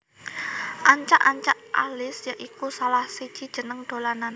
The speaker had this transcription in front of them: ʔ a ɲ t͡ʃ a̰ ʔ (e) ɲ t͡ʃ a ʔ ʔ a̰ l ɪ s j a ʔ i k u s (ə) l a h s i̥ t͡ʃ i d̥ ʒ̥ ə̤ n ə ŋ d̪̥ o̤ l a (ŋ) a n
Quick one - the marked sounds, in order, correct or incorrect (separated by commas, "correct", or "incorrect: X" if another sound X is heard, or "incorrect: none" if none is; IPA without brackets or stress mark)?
incorrect: a, incorrect: a, incorrect: n